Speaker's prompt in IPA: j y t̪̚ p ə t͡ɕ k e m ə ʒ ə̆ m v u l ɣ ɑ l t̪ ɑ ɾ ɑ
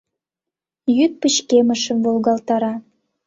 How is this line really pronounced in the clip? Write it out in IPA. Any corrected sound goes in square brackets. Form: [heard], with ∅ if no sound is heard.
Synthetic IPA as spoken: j y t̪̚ p ə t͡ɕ k e m ə [ʃ] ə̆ m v [o] l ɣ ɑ l t̪ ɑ ɾ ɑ